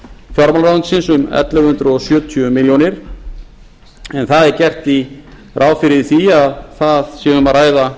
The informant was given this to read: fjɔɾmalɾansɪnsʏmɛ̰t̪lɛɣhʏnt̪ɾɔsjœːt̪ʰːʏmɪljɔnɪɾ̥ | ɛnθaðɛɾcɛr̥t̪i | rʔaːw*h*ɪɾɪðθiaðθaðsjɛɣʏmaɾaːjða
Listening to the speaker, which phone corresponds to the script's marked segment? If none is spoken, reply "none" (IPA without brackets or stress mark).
f